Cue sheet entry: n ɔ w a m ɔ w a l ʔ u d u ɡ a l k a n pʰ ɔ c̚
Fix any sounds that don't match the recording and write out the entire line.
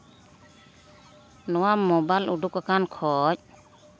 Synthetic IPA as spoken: n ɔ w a m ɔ b a l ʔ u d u k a k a n kʰ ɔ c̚